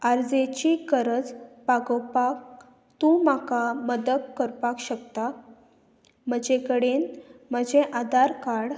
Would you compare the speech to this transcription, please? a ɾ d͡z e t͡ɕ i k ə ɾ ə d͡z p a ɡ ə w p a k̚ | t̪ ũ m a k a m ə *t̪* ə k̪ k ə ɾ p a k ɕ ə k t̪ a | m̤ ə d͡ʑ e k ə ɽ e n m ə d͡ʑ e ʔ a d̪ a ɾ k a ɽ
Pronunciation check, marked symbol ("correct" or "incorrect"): incorrect